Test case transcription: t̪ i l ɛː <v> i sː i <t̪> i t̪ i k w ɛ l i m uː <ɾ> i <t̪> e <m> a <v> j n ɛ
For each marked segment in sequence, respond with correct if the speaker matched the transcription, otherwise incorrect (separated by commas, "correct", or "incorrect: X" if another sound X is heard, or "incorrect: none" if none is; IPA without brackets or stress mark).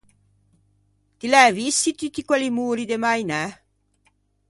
correct, correct, correct, incorrect: d̪, correct, incorrect: none